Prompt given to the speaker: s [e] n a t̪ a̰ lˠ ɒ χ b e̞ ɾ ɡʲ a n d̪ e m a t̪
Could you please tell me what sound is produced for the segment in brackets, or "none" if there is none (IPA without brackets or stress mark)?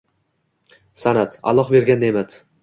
a